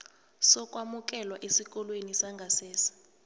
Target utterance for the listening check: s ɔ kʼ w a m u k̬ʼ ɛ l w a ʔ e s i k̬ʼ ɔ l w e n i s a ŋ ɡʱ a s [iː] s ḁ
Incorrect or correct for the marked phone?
incorrect: ɛː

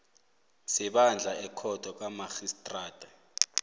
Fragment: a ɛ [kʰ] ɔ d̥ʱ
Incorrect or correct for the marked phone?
correct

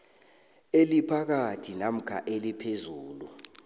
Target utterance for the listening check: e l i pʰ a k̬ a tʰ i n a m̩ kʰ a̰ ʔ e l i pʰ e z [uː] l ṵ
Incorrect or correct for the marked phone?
correct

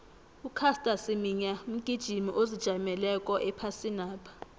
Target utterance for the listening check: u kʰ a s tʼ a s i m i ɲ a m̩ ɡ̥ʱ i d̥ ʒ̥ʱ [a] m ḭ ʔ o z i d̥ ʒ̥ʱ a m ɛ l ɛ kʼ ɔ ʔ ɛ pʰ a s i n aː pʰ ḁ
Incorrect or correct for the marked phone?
incorrect: i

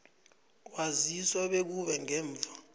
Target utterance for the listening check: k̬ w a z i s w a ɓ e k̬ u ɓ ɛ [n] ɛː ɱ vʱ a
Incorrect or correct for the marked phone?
incorrect: ŋ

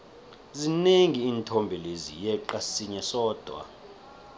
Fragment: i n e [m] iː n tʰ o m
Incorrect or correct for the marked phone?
incorrect: ŋ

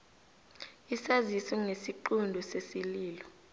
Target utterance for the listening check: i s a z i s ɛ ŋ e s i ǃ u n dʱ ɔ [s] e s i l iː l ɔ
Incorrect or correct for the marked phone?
correct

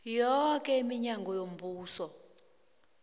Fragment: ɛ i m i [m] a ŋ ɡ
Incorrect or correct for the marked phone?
incorrect: ɲ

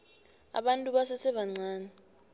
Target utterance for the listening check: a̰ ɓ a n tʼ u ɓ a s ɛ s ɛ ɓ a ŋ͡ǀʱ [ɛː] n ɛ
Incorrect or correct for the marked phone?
incorrect: aː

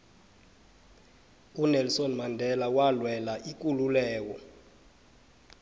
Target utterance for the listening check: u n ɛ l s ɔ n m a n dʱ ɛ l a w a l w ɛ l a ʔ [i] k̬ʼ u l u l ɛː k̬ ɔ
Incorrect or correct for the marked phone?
correct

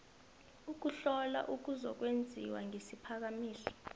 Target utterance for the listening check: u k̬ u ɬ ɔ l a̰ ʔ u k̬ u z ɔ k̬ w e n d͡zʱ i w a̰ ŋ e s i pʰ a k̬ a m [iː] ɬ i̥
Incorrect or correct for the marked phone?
correct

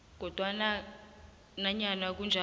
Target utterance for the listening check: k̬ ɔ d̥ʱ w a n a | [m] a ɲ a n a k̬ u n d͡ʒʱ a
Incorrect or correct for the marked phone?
incorrect: n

